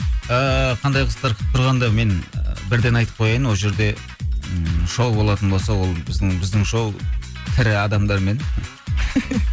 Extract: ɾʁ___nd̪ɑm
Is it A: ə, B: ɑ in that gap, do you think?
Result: B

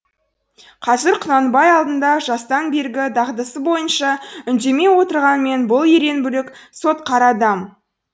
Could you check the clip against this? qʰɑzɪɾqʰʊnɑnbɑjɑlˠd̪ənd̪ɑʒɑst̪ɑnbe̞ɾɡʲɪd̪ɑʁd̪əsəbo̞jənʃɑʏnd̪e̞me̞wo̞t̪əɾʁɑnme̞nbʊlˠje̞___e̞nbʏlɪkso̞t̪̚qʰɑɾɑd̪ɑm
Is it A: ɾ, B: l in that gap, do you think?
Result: A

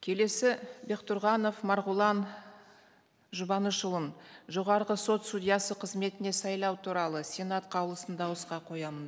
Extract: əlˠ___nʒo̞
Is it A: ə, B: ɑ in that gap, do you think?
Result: A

